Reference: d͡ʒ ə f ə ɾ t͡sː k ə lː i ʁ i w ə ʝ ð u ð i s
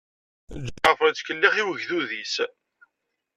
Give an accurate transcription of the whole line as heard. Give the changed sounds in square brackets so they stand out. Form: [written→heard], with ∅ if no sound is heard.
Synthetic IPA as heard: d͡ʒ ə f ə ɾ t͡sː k ə lː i [ʁ→χ] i w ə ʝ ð u ð i s